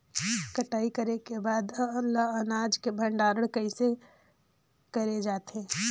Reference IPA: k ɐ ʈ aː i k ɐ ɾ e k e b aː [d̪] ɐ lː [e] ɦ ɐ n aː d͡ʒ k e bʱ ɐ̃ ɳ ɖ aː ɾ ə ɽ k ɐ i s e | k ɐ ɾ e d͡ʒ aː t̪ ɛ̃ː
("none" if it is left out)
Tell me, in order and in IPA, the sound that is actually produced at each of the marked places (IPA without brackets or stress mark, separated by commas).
d̪, a